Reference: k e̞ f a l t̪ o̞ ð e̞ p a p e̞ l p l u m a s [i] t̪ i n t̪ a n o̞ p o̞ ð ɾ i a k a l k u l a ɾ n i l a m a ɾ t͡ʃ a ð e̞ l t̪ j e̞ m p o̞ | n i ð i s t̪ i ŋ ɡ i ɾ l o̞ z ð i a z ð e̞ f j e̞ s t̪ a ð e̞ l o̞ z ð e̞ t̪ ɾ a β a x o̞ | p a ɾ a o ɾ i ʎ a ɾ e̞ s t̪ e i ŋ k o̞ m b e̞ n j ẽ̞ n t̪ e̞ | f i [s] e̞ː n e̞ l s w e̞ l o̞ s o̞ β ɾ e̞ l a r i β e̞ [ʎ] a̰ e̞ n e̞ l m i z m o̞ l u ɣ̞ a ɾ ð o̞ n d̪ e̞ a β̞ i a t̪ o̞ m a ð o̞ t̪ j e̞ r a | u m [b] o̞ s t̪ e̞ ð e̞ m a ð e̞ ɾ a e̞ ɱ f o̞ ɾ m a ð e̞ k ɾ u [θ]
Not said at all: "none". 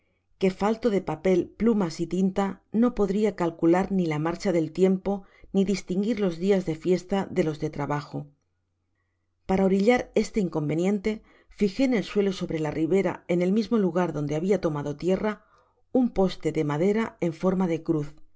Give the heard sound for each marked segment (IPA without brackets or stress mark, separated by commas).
i, x, ɾ, p, θ